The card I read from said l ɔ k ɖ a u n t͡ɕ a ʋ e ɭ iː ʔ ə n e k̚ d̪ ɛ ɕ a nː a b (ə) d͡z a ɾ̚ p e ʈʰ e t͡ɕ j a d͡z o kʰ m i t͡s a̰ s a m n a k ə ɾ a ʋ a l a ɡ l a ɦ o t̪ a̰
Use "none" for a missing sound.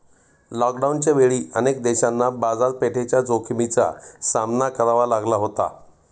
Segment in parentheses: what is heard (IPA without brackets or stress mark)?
a